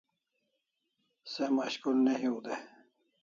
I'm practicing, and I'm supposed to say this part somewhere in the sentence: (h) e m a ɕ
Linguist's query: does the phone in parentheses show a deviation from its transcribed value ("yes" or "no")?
yes